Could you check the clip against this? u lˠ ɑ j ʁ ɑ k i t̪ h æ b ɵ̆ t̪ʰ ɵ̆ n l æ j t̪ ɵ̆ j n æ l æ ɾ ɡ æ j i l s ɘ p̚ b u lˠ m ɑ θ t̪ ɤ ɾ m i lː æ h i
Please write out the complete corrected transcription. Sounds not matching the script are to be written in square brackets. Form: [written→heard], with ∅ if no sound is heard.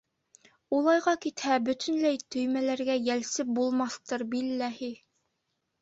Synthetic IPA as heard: u lˠ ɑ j ʁ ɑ k i t̪ h æ b ɵ̆ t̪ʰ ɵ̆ n l æ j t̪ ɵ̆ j [n→m] æ l æ ɾ ɡ æ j [i→æ] l s ɘ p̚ b u lˠ m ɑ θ t̪ ɤ ɾ [m→b] i lː æ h i